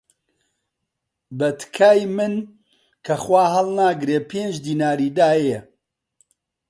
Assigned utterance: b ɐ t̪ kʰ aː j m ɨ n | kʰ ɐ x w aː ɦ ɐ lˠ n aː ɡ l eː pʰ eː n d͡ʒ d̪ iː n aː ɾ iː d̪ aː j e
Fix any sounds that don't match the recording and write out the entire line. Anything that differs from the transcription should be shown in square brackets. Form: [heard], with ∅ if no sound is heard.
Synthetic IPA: b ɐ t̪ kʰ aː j m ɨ n | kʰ ɐ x w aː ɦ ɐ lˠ n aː ɡ [ɾ] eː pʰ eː n d͡ʒ d̪ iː n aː ɾ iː d̪ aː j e